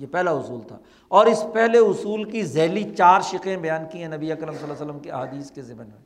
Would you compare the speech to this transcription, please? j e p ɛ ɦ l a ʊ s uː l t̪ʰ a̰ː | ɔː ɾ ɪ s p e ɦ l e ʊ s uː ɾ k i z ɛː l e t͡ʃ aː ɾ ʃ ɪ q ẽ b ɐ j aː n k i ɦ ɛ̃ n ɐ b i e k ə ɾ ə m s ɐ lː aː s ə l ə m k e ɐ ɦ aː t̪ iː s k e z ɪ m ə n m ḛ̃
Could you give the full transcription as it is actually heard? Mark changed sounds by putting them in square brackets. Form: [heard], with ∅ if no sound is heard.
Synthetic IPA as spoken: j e p ɛ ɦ l a ʊ s uː l t̪ʰ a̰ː | ɔː ɾ ɪ s p [ɛ] ɦ l e ʊ s uː [l] k i z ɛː l [i] t͡ʃ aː ɾ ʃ ɪ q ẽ b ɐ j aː n k i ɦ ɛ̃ n ɐ b i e k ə ɾ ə m s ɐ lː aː s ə l ə m k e ɐ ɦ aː [d̪] iː s k e z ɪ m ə n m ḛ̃